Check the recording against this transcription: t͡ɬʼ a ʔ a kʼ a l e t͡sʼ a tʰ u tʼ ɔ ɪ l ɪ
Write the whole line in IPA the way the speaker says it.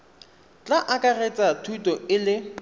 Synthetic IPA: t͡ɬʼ a ʔ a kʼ a r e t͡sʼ a tʰ u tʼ ɔ ɪ l ɪ

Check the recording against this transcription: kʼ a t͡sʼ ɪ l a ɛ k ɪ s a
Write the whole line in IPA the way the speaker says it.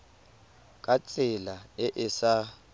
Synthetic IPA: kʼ a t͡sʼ ɪ l a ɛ ʔ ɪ s a

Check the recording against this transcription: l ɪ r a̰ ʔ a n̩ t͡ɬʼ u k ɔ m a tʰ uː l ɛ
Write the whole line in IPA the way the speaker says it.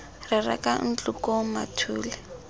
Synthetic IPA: r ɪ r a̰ k a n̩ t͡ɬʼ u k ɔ m a tʰ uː l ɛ

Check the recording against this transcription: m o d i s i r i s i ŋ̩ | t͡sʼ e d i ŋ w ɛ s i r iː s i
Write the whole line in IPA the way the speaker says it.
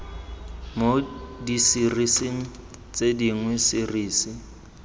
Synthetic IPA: m o d i s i r i s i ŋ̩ | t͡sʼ e d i ŋ w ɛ s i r iː s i

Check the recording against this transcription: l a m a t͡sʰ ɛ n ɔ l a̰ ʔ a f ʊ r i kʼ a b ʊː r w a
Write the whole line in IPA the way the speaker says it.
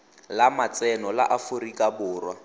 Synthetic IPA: l a m a t͡s ɛ n ɔ l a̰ ʔ a f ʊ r i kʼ a b ʊː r w a

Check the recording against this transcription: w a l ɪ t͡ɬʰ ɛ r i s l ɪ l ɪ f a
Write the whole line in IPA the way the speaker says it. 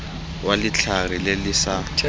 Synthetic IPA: w a l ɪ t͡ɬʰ a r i l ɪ l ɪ s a

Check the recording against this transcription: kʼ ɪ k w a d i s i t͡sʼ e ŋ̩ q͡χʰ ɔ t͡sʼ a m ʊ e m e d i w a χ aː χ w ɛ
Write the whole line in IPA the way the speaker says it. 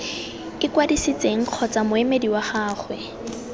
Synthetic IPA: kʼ ɪ k w a d i s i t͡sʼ e ŋ̩ q͡χʰ ɔ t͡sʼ a m ʊ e m e d i w a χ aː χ w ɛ

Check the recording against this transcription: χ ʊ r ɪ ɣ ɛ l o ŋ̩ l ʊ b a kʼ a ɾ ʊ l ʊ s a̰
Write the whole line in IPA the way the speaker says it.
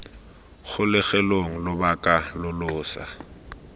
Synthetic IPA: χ ʊ l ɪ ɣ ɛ l o ŋ̩ l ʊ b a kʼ a l ʊ l ʊː s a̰

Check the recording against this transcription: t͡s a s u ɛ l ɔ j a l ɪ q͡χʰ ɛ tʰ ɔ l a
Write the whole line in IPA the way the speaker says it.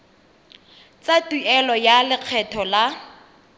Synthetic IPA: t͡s a t u ɛ l ɔ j a l ɪ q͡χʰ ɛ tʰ ɔ l a

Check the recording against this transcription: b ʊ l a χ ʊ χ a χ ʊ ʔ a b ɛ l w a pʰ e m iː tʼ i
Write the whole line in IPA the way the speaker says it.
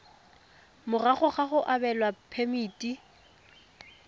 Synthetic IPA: m ʊ r a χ ʊ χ a χ ʊ ʔ a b ɛ l w a pʰ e m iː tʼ i

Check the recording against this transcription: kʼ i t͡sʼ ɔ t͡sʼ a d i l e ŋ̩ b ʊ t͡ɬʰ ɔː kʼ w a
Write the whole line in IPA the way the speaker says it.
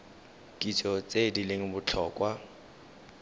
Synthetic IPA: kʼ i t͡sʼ ɔ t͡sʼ e d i l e ŋ̩ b ʊ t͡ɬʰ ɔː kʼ w a

